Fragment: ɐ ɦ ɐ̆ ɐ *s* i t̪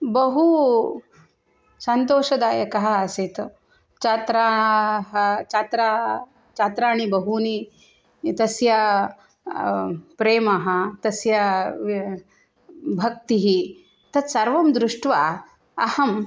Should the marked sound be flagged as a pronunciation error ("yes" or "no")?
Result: no